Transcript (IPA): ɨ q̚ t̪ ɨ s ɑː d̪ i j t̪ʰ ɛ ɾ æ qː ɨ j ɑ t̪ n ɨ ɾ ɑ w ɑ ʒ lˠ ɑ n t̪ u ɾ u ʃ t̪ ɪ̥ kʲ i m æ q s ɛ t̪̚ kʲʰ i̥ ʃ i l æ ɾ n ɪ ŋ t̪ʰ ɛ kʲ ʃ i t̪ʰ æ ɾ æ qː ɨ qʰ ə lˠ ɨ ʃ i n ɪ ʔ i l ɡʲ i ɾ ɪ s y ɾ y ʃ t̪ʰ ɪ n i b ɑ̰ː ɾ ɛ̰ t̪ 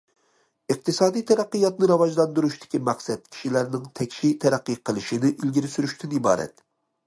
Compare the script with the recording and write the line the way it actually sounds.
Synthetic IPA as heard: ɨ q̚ t̪ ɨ s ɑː d̪ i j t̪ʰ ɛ ɾ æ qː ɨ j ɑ t̪ n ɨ ɾ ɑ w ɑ ʒ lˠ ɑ n d̪ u ɾ u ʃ t̪ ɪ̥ kʲ i m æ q s ɛ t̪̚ kʲʰ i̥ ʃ i l æ ɾ n ɪ ŋ t̪ʰ ɛ kʲ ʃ i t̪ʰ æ ɾ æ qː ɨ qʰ ə lˠ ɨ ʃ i n ɪ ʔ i l ɡʲ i ɾ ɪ s y ɾ y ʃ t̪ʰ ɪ n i b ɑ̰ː ɾ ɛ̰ t̪